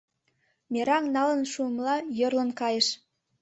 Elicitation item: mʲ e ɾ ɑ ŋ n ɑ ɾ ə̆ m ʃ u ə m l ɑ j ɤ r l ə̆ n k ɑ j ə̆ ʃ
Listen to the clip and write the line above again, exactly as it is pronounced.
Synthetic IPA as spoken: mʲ e ɾ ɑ ŋ n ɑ l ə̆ n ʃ u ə m l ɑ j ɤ r l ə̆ n k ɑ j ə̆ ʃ